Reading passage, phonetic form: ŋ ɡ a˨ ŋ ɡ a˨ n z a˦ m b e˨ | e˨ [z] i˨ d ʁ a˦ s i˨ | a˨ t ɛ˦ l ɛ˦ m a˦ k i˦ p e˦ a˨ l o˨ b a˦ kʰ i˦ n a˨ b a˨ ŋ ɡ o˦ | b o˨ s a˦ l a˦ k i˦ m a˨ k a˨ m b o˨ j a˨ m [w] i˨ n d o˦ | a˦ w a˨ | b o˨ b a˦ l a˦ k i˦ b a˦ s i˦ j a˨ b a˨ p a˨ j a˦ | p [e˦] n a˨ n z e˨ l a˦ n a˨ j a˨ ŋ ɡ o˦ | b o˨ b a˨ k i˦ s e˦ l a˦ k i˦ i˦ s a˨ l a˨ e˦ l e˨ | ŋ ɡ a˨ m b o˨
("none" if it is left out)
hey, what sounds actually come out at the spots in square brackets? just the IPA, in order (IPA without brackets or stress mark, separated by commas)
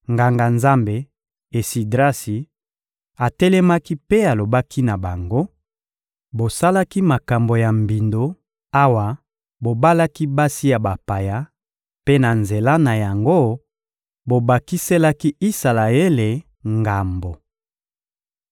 s, b, e˦